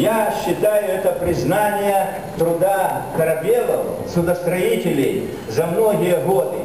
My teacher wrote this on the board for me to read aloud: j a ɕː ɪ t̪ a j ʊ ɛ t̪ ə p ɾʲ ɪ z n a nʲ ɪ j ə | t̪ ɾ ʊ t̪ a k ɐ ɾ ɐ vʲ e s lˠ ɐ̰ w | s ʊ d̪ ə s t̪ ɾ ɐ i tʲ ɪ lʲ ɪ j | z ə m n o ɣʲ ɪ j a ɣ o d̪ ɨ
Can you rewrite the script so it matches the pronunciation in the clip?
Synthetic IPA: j a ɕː ɪ t̪ a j ʊ ɛ t̪ ə p ɾʲ ɪ z n a nʲ ɪ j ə | t̪ ɾ ʊ d̪ a k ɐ ɾ ɐ bʲ e lˠ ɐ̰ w | s ʊ d̪ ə s t̪ ɾ ɐ i tʲ ɪ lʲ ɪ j | z ɐ m n o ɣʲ ɪ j ə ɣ o d̪ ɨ